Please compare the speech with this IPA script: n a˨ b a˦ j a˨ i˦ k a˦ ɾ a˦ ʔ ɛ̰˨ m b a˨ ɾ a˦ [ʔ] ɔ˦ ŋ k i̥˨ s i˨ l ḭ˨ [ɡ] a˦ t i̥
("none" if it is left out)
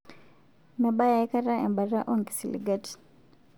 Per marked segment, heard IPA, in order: ʔ, ɡ

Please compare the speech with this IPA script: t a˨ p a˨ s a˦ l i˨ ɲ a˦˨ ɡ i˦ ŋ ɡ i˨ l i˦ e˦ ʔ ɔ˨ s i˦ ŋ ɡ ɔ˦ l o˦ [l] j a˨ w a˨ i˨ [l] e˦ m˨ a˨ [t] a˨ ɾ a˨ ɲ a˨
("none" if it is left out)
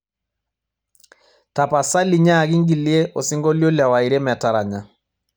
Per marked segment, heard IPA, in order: l, ɾ, t

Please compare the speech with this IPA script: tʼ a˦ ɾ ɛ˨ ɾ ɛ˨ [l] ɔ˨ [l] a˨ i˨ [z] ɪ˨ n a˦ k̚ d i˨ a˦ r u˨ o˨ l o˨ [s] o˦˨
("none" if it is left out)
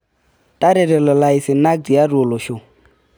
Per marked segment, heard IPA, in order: l, l, s, ʃ

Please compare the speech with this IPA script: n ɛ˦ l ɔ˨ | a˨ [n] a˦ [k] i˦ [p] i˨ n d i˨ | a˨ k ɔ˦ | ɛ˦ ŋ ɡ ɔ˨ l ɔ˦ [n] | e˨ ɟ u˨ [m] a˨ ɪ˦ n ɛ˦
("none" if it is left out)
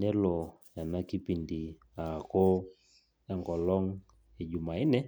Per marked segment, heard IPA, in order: n, k, p, ŋ, m

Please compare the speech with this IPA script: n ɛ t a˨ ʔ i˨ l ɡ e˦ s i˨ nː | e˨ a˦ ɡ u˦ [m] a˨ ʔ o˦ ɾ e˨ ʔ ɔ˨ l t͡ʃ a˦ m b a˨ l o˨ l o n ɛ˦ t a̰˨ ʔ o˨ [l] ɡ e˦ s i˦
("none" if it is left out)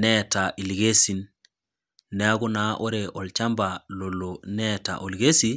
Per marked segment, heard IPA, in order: n, l

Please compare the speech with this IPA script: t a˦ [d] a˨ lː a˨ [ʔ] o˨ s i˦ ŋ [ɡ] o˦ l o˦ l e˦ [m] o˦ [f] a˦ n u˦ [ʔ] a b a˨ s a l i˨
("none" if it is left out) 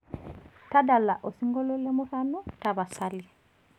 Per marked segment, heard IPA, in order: d, ʔ, ɡ, m, f, t

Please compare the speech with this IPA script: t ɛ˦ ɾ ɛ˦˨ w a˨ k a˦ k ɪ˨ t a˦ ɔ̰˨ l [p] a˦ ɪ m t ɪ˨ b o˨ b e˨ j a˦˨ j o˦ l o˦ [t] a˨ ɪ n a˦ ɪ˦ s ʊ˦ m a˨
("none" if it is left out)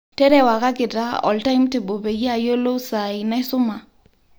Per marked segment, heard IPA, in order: t, s

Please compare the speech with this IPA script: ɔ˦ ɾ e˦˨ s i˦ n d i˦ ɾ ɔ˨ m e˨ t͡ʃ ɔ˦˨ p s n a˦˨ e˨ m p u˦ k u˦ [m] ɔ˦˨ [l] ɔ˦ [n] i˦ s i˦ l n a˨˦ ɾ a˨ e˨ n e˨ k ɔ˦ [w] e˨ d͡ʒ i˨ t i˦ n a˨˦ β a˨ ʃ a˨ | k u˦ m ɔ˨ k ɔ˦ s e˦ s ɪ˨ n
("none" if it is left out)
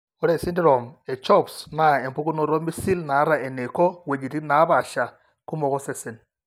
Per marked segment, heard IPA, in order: n, ɾ, m, w

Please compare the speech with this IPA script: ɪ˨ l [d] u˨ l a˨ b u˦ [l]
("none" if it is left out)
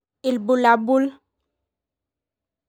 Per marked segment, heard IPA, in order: b, l

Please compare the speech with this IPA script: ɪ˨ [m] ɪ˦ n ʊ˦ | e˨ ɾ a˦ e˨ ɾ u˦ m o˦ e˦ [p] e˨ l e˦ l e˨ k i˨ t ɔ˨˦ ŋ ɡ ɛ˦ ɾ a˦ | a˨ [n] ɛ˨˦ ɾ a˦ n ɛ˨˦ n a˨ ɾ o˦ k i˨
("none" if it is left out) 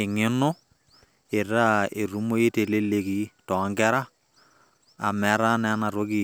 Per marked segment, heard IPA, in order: ŋ, t, m

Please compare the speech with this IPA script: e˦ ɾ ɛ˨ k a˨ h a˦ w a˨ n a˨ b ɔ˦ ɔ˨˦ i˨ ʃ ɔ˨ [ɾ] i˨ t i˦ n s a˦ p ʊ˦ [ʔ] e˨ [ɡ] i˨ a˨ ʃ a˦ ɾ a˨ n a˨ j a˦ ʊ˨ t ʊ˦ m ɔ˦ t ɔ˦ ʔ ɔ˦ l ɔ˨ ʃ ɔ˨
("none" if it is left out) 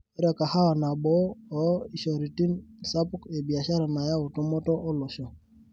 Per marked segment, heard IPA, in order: ɾ, k, b

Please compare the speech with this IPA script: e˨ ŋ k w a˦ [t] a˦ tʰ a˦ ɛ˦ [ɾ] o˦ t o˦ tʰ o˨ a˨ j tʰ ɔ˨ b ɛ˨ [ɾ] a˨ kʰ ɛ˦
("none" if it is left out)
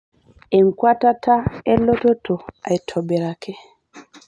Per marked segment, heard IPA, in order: t, l, ɾ

